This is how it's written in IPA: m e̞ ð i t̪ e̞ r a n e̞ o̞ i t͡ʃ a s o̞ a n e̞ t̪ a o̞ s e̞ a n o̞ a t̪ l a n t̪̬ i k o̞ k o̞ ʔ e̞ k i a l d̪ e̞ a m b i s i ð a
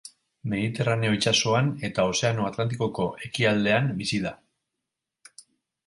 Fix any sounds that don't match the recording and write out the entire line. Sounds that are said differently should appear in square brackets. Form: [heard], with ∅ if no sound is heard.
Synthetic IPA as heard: m e̞ ð i t̪ e̞ r a n e̞ o̞ i t͡ʃ a s o̞ a n e̞ t̪ a o̞ s e̞ a n o̞ a t̪ l a n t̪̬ i k o̞ k o̞ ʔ e̞ k i a l d̪ e̞ a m b i s i ð a